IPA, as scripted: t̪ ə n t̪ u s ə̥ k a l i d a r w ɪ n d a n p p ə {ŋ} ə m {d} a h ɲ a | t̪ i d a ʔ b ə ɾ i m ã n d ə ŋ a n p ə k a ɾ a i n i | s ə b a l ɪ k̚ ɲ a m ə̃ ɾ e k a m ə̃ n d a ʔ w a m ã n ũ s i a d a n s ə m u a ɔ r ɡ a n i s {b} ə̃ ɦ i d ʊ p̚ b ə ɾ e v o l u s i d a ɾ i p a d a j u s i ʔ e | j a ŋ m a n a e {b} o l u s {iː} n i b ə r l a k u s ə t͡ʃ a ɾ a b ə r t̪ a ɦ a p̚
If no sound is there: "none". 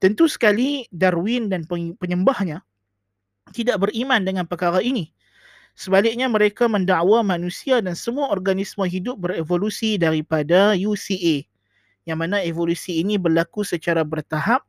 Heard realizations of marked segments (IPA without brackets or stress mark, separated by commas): ɲ, b, m, v, iː